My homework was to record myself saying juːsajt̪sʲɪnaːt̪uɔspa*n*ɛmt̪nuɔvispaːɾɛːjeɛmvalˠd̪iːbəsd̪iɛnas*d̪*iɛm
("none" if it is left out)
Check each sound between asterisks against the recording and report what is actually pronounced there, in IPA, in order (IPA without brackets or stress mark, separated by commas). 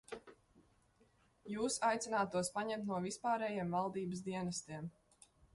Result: ɲ, t̪